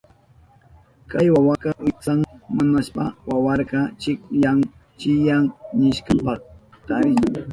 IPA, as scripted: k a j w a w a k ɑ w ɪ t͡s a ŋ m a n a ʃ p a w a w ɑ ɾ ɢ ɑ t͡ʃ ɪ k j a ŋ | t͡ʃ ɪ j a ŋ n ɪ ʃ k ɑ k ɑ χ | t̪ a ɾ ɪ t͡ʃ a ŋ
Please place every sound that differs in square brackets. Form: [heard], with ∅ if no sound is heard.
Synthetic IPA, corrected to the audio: k a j w a w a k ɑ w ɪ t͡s a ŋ m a n a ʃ p a w a w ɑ ɾ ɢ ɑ t͡ʃ ɪ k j a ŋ | t͡ʃ ɪ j a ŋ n ɪ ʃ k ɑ [p] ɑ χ | t̪ a ɾ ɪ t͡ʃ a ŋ